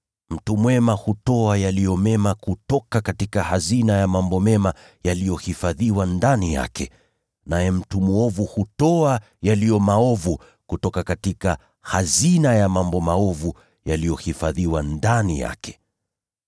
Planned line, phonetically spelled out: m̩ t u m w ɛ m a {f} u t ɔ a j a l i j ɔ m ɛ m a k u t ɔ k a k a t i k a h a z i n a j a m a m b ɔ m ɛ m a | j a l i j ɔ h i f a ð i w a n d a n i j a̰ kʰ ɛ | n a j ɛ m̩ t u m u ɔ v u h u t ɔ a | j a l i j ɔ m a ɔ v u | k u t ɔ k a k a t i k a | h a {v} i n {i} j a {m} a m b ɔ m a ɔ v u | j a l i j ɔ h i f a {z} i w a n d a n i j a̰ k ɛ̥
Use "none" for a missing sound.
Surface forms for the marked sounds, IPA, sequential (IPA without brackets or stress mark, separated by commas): h, z, a, m, ð